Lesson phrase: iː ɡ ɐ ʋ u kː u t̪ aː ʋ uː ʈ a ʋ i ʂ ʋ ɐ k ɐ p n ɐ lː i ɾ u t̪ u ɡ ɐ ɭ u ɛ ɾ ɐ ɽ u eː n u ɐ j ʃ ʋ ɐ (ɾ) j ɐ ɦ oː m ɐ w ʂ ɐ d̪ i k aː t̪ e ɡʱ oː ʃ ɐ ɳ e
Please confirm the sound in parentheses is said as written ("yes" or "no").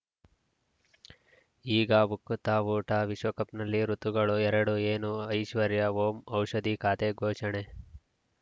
yes